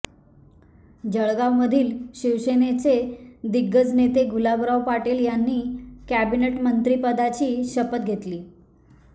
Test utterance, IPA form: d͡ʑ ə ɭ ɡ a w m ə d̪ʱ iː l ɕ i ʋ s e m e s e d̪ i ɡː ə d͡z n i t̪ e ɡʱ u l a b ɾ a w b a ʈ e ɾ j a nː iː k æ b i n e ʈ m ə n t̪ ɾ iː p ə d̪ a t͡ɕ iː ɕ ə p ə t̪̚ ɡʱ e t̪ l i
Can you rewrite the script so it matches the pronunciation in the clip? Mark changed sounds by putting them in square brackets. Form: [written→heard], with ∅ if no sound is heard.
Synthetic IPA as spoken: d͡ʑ ə ɭ ɡ a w m ə d̪ʱ iː l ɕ i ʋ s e [m→n] e [s→t͡s] e d̪ i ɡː ə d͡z n [i→e] t̪ e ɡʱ u l a b ɾ a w [b→p] a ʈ e [ɾ→l] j a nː iː k æ b i n e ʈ m ə n t̪ ɾ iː p ə d̪ a t͡ɕ iː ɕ ə p ə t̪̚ ɡʱ e t̪ l [i→iː]